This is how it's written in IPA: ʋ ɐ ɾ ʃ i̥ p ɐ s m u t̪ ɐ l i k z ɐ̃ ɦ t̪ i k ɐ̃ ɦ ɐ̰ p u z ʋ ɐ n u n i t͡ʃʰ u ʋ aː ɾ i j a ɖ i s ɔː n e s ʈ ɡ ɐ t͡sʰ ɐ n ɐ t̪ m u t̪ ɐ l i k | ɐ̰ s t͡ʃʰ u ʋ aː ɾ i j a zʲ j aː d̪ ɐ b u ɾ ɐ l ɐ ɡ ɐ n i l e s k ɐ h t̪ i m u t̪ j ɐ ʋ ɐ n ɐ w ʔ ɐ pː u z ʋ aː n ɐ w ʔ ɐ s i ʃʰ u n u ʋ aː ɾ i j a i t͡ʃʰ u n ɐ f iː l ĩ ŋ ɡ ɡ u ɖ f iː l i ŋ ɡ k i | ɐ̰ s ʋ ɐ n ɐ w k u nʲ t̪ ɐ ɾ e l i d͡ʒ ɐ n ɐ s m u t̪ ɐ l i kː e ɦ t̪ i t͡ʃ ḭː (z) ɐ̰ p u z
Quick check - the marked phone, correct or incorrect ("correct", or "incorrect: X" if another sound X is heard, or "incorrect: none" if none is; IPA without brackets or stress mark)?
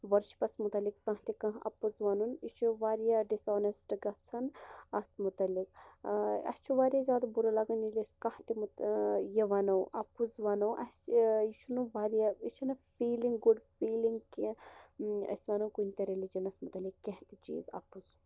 correct